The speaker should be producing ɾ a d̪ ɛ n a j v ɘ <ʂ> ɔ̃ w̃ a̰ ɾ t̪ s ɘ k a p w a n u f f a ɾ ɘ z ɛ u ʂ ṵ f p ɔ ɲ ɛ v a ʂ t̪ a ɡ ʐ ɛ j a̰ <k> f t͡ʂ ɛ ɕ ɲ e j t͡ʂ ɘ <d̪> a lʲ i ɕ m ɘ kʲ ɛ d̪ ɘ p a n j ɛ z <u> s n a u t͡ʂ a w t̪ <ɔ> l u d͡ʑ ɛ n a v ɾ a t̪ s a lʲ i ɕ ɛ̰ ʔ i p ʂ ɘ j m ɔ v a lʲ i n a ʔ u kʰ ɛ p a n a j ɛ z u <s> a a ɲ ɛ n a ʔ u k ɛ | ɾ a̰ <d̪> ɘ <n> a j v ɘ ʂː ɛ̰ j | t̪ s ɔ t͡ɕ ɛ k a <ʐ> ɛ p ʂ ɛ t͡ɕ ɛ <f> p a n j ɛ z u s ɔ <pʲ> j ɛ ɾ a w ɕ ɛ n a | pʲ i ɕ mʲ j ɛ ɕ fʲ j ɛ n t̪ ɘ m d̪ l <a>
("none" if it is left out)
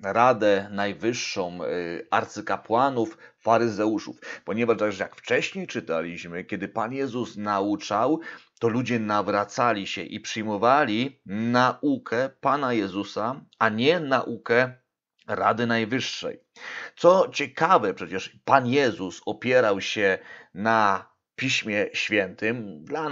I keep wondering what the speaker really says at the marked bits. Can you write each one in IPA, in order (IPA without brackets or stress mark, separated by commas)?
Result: ʂː, k, t̪, u, ɔ, s, d̪, n, v, ʂ, pʲ, a